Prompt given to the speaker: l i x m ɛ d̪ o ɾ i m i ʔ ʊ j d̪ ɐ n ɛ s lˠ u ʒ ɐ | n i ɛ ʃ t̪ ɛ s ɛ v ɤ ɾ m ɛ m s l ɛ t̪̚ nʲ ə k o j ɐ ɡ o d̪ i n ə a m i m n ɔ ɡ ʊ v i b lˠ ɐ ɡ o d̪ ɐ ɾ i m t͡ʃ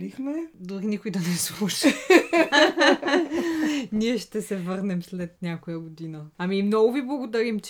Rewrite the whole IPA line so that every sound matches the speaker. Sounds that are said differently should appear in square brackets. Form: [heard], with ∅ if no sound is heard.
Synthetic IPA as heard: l i x m ɛ d̪ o ɾ i [n] i [k] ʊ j d̪ ɐ n ɛ s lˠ u [ʃ] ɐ | n i ɛ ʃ t̪ ɛ s ɛ v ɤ ɾ [n] ɛ m s l ɛ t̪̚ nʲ [a] k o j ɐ ɡ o d̪ i n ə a m i m n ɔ ɡ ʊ v i b lˠ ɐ ɡ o d̪ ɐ ɾ i m t͡ʃ